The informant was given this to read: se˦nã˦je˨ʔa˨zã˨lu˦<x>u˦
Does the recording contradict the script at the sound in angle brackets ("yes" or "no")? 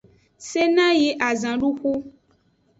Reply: no